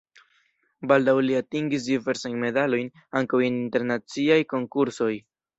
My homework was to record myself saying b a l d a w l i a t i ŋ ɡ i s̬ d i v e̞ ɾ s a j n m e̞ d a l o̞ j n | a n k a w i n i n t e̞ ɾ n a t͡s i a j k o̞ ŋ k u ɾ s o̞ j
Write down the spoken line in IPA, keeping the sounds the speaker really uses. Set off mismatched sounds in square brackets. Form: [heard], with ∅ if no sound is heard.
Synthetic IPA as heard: b a l d a w l i a t i ŋ ɡ i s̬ d i v e̞ ɾ s a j n m e̞ d a l o̞ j n | a [ŋ] k a w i n i n t e̞ ɾ n a t͡s i a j k o̞ ŋ k u ɾ s o̞ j